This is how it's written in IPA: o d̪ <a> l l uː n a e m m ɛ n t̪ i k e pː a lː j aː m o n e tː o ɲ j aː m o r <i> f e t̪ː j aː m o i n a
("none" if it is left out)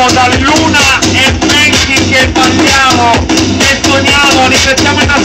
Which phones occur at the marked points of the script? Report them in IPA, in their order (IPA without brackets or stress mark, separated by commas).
a, i